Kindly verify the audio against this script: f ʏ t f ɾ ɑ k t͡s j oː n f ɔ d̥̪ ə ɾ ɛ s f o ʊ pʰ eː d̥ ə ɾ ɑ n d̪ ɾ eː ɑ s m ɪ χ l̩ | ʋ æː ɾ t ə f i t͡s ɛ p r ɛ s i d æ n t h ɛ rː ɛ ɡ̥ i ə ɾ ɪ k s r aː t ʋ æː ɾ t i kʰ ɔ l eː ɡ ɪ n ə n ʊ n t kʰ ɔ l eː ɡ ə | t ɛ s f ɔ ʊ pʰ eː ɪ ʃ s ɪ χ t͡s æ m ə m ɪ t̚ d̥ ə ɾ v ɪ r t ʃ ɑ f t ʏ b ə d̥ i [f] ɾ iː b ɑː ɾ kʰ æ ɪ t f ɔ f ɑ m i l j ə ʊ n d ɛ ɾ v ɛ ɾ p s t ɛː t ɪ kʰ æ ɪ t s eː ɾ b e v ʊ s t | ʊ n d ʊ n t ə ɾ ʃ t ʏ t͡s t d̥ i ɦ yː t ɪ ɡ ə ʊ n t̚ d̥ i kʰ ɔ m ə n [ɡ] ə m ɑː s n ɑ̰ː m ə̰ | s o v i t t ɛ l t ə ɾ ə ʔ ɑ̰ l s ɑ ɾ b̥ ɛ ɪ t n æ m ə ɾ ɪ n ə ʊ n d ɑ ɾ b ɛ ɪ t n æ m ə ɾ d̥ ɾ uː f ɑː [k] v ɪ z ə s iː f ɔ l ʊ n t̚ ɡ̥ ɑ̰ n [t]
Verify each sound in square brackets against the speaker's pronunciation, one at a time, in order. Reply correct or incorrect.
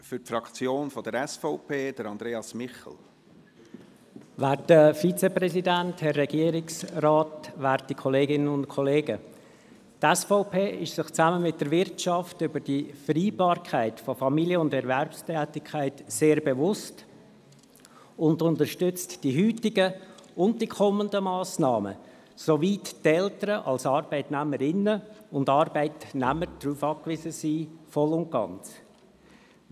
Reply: correct, incorrect, correct, incorrect

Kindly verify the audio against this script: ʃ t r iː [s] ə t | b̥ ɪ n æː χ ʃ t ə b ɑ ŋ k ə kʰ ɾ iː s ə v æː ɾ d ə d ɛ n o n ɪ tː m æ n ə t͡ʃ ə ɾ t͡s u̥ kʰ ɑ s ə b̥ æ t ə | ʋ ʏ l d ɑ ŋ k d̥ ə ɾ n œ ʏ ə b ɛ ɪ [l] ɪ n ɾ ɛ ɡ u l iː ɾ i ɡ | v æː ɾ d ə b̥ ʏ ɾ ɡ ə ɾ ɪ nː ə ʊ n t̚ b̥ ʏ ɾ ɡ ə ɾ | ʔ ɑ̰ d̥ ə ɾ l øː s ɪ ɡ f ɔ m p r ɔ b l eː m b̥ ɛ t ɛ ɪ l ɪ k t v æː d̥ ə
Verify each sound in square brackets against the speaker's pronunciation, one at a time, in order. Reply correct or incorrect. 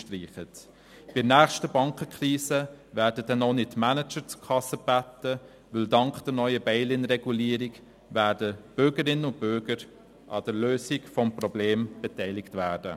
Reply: incorrect, correct

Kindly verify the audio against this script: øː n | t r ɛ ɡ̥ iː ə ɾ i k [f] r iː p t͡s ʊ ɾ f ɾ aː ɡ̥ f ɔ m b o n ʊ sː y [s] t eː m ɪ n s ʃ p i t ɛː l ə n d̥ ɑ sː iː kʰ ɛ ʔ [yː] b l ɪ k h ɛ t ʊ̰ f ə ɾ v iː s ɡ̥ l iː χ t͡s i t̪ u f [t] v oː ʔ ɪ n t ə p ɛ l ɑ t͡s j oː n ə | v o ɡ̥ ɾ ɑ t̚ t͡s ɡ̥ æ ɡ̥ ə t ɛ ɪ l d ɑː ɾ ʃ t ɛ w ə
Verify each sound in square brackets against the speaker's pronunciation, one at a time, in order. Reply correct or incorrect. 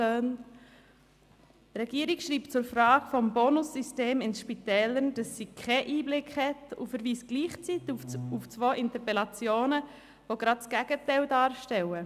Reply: incorrect, correct, incorrect, incorrect

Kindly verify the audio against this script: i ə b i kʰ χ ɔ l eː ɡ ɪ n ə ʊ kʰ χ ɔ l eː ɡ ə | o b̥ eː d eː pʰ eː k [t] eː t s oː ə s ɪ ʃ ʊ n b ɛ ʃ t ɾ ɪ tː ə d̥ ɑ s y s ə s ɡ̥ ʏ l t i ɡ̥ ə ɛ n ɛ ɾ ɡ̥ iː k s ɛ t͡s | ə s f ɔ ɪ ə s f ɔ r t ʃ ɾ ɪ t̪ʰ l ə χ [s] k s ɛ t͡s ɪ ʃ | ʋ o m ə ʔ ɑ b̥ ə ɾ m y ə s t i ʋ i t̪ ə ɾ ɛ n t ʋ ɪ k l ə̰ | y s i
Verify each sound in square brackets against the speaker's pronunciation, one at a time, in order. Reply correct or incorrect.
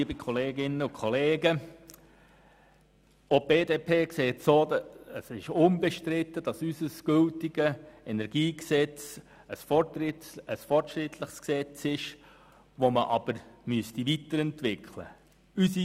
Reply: incorrect, correct

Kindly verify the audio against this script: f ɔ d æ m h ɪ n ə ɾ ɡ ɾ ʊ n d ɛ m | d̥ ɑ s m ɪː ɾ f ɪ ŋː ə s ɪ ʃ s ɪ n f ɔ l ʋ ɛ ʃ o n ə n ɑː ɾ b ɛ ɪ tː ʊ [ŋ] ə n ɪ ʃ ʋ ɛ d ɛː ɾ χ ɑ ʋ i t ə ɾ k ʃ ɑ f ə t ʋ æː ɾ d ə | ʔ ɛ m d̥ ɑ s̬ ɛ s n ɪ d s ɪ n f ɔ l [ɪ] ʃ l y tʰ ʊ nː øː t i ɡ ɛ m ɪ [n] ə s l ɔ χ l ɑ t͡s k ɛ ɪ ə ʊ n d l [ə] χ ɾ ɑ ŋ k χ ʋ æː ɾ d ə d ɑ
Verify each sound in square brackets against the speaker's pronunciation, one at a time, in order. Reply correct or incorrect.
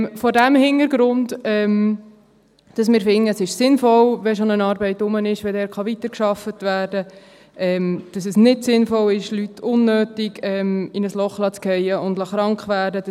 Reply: incorrect, correct, correct, incorrect

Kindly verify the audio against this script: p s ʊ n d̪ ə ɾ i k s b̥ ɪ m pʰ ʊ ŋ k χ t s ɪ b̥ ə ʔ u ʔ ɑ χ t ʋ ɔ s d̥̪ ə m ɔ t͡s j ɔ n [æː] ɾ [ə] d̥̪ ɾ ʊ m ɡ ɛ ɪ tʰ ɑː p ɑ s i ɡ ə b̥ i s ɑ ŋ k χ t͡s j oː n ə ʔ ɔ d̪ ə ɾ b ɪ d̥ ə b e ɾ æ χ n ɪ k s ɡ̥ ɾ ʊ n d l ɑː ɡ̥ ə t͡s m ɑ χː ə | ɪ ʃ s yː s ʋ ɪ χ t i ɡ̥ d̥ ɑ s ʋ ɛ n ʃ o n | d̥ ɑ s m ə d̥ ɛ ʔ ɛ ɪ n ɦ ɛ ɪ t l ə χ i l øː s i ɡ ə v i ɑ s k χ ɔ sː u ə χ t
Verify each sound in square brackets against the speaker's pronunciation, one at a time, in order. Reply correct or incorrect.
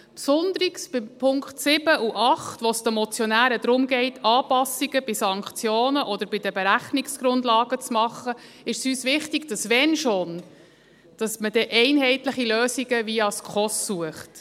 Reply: correct, correct

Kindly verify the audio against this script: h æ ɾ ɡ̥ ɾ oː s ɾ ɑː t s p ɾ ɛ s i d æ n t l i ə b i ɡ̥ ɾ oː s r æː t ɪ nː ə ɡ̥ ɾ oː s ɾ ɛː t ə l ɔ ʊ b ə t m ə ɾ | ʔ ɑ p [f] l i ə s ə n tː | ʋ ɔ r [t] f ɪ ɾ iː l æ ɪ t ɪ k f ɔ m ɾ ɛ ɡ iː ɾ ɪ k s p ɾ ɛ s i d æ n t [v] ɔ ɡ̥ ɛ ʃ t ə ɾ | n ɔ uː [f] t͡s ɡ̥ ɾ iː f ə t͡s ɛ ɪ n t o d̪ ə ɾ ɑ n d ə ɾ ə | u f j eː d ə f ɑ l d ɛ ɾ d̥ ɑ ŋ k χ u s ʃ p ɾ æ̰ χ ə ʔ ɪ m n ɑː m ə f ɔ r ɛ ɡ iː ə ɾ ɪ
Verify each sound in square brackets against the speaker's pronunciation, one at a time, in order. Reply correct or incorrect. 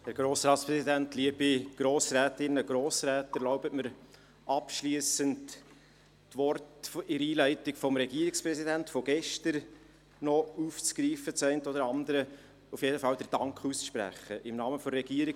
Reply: incorrect, correct, incorrect, correct

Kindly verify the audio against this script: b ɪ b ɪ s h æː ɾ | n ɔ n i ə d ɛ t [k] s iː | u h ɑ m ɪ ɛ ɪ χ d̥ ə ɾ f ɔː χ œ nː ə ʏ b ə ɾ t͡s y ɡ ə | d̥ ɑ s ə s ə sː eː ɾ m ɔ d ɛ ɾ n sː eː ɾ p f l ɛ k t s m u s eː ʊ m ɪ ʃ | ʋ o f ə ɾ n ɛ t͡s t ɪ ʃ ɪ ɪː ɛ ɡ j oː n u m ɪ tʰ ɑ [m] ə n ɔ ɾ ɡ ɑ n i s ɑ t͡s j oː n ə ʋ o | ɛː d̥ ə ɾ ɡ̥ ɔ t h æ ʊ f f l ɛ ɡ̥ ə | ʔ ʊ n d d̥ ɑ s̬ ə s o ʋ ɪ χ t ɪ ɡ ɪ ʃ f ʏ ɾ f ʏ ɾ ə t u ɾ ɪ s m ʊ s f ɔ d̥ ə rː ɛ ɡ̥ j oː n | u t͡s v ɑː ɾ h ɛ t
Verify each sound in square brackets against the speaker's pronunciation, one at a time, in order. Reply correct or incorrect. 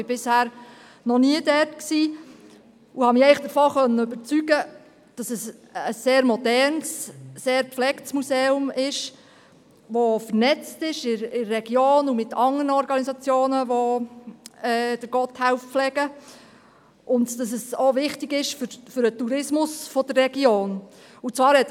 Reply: correct, incorrect

